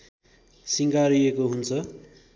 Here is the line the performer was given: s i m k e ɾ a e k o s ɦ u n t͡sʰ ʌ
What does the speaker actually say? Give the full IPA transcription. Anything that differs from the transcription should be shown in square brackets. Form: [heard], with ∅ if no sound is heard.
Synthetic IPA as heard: s i [ŋ] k [a] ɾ [i] e k o [∅] ɦ u n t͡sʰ ʌ